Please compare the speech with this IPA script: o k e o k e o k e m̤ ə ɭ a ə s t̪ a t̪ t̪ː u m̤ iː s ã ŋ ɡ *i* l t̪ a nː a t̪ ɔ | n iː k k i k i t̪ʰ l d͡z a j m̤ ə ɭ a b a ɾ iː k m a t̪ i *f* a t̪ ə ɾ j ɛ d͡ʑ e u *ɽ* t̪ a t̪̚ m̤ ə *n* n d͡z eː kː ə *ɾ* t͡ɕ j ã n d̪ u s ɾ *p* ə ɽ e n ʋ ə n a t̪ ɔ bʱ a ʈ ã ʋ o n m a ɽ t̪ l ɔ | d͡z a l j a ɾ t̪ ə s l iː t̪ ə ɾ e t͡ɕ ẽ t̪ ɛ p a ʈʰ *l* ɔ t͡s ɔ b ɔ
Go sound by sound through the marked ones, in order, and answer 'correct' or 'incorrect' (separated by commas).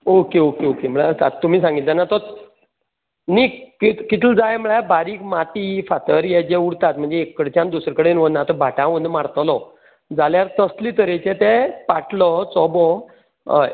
correct, correct, correct, incorrect, incorrect, incorrect, correct